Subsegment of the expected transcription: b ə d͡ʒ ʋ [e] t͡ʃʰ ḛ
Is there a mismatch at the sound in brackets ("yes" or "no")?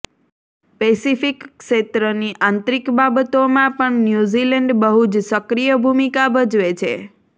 no